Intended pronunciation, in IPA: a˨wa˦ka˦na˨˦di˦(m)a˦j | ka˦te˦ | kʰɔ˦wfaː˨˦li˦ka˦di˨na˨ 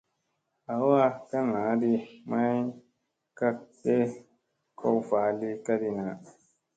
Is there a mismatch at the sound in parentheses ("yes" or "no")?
no